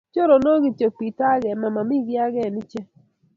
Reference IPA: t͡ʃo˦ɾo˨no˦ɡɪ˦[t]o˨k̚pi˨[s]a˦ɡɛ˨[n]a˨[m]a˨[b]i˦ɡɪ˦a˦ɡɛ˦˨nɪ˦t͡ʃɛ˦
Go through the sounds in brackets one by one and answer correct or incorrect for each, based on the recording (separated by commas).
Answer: incorrect, incorrect, incorrect, correct, incorrect